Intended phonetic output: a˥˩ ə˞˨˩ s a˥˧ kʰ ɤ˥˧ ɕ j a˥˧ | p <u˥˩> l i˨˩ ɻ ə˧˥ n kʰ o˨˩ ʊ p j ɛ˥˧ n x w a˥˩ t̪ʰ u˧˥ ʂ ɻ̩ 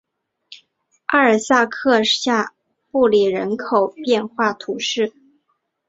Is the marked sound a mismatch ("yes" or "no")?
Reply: no